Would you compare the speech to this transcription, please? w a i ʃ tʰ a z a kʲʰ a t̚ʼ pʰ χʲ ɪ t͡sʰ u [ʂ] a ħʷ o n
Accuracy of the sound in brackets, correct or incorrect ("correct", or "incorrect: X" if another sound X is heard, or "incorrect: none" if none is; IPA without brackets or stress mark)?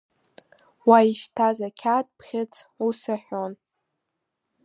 incorrect: s